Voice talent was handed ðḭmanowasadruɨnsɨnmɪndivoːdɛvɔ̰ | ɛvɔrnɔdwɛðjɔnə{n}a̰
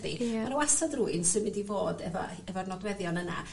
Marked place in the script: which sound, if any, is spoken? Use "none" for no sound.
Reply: n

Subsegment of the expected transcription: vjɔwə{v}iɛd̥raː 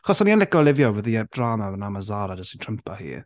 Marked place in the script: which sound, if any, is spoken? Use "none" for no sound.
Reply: ð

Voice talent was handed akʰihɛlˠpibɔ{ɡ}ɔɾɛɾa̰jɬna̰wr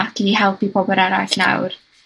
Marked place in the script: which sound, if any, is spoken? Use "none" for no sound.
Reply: b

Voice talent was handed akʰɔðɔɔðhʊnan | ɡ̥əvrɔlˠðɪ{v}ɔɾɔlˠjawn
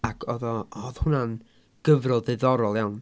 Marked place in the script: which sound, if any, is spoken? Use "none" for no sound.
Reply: ð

